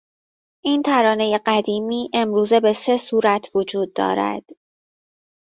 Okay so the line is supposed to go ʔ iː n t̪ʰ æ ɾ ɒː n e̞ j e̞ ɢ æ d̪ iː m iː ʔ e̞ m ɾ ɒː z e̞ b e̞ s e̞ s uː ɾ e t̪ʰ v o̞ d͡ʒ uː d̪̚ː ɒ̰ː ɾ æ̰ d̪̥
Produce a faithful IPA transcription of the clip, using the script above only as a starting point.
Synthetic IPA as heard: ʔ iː n t̪ʰ æ ɾ ɒː n e̞ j e̞ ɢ æ d̪ iː m iː ʔ e̞ m ɾ uː z e̞ b e̞ s e̞ s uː ɾ æ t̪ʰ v o̞ d͡ʒ uː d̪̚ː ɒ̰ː ɾ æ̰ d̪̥